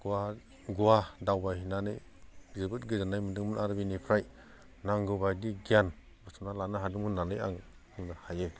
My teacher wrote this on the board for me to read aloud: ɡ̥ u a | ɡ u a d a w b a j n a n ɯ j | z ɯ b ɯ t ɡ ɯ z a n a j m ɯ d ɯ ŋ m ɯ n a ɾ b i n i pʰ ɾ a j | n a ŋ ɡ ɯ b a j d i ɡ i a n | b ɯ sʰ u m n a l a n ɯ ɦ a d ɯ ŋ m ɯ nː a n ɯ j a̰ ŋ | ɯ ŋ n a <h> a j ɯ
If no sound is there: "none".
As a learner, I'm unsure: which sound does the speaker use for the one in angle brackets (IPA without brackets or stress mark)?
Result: h